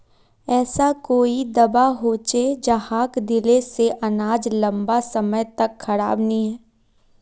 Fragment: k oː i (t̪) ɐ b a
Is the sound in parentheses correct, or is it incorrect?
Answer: incorrect